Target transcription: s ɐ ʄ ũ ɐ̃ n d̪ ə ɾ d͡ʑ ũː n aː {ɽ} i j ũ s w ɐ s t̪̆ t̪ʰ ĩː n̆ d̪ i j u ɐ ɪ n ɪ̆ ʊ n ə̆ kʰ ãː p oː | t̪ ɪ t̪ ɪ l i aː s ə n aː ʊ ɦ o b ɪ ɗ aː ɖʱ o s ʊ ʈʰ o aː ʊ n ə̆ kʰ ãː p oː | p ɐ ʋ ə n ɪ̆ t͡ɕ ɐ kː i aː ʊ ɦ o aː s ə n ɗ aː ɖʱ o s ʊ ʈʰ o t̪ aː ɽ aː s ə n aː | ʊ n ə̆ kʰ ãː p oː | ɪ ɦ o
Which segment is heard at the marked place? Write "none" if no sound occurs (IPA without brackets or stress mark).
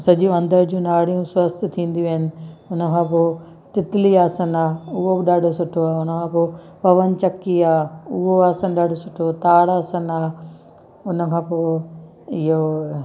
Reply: ɽ